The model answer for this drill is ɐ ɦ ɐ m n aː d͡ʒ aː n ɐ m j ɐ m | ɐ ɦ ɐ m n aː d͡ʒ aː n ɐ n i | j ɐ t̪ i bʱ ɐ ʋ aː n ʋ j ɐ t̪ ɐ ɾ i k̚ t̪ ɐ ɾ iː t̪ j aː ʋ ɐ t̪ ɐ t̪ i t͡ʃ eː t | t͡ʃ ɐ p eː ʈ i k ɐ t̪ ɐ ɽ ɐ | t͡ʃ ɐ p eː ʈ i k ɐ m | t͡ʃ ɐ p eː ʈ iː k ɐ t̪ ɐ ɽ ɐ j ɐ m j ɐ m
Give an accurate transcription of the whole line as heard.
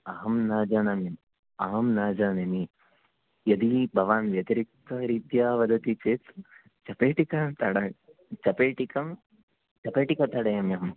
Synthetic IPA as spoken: ɐ ɦ ɐ m n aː d͡ʒ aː n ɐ m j ɐ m | ɐ ɦ ɐ m n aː d͡ʒ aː n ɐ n i | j ɐ d̪ i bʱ ɐ ʋ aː n ʋ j ɐ t̪ ɐ ɾ i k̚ t̪ ɐ ɾ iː t̪ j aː ʋ ɐ d̪ ɐ t̪ i t͡ʃ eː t | t͡ʃ ɐ p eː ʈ i k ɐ t̪ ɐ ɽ ɐ | t͡ʃ ɐ p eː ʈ i k ɐ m | t͡ʃ ɐ p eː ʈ i k ɐ t̪ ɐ ɽ ɐ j ɐ m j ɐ m